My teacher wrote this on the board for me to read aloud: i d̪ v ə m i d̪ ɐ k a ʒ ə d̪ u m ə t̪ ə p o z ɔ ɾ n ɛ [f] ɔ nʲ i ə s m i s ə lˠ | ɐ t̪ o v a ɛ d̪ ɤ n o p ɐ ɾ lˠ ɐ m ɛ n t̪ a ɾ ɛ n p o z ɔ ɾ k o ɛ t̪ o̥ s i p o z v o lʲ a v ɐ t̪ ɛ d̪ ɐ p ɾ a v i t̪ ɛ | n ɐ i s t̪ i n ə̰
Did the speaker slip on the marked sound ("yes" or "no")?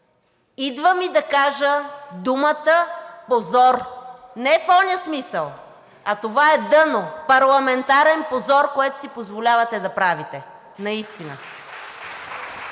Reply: no